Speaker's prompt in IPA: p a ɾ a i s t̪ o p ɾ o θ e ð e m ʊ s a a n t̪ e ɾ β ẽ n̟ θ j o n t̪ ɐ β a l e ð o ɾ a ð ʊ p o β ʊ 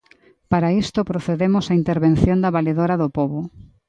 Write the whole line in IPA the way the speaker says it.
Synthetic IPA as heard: p a ɾ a i s t̪ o p ɾ o θ e ð e m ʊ s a i n t̪ e ɾ β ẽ n̟ θ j o n d̪ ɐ β a l e ð o ɾ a ð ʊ p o β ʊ